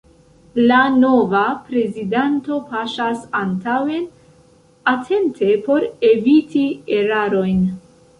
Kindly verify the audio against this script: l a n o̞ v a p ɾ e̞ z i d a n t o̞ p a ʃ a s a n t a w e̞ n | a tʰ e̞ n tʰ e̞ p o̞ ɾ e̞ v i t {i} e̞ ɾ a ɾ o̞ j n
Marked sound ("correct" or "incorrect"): correct